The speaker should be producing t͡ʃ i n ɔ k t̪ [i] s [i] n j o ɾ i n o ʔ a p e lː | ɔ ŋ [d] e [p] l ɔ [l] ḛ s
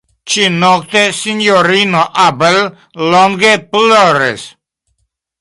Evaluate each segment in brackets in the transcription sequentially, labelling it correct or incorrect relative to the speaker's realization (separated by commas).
incorrect, correct, incorrect, correct, incorrect